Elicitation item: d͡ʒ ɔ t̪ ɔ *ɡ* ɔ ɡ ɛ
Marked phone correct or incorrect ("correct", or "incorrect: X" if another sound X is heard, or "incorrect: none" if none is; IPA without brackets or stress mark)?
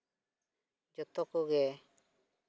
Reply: incorrect: k